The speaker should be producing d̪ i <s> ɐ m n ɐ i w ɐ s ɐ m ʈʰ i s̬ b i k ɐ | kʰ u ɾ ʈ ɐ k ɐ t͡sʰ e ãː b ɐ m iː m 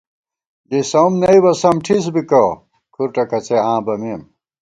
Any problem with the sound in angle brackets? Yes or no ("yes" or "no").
no